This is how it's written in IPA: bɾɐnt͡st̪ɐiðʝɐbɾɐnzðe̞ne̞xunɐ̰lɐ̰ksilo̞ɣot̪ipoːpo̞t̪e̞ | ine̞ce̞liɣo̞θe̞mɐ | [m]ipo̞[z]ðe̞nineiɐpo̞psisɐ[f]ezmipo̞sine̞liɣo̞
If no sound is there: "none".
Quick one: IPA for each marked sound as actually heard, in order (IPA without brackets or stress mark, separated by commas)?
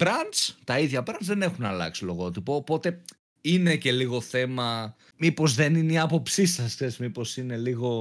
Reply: m, z, s